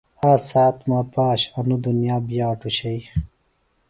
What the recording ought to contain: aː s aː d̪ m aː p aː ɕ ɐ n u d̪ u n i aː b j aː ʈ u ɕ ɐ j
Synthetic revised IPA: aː s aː t̪ m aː p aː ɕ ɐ n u d̪ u n j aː b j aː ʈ u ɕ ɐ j